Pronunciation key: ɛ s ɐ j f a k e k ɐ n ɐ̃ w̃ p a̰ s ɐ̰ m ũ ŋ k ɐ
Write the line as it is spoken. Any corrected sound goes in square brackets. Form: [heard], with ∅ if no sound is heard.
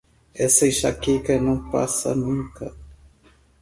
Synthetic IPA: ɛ s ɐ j [ʃ] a k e k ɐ n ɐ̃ w̃ p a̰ s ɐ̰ [n] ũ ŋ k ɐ